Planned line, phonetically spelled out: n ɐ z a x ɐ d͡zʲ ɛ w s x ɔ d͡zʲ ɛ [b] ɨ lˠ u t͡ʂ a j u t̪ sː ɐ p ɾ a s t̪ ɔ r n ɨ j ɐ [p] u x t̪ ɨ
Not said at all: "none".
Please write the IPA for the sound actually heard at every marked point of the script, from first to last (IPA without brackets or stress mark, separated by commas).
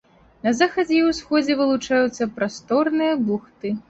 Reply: v, b